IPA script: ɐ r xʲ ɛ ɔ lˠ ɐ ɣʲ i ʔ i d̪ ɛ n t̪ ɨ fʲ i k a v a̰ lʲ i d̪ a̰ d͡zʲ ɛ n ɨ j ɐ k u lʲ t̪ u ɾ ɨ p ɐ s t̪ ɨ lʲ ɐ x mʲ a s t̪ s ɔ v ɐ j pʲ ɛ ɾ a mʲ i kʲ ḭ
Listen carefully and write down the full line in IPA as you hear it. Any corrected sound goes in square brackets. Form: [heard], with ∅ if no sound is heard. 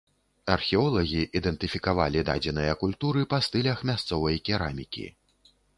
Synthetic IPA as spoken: ɐ r xʲ ɛ ɔ lˠ ɐ ɣʲ i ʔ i d̪ ɛ n t̪ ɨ fʲ i k a v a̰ lʲ i d̪ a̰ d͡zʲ ɛ n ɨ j ɐ k u lʲ t̪ u ɾ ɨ p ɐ s t̪ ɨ lʲ ɐ x mʲ a s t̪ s ɔ v ɐ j [kʲ] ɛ ɾ a mʲ i kʲ ḭ